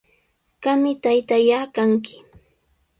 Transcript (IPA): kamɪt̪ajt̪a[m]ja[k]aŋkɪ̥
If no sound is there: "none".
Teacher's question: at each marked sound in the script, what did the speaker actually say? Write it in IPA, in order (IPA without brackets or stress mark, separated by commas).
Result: none, k